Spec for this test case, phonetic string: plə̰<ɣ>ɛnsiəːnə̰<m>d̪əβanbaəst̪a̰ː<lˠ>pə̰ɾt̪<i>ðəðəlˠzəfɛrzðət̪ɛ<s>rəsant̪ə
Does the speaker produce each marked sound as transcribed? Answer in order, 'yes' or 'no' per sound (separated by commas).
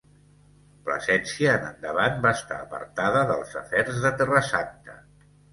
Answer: no, no, no, no, no